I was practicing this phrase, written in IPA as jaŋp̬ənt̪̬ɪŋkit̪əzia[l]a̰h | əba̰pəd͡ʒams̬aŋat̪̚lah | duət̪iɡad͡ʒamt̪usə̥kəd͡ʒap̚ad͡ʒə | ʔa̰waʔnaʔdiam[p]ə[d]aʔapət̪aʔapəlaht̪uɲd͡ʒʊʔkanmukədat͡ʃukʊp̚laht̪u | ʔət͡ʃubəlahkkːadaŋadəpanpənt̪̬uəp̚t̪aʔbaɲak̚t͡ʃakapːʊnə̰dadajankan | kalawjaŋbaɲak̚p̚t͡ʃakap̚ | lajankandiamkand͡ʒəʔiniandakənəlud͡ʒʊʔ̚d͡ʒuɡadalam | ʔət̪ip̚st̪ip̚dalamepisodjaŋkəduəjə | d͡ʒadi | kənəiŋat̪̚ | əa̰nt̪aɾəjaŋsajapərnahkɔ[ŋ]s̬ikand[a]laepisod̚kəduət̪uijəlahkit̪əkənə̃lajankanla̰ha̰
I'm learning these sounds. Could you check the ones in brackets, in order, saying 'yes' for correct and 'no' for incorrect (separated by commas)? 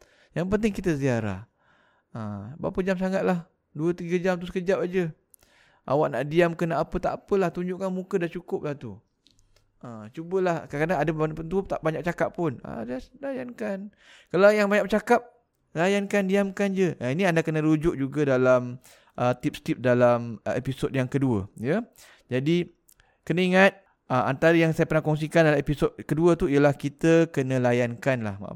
no, no, no, yes, yes